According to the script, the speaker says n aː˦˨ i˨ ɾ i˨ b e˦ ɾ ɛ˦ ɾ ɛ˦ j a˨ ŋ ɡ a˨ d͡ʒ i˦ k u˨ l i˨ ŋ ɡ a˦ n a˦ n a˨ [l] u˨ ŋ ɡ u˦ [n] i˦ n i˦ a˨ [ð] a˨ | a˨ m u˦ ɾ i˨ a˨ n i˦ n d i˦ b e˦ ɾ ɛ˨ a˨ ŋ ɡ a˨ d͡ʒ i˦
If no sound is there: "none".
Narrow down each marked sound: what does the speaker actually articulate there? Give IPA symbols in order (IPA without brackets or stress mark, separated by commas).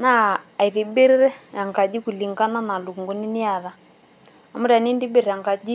l, n, ð